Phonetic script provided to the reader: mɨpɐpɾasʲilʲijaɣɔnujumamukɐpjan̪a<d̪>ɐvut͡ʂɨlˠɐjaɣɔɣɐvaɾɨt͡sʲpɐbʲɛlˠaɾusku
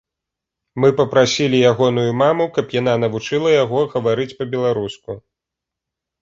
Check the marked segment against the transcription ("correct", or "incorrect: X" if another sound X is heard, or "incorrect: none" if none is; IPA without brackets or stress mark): incorrect: n̪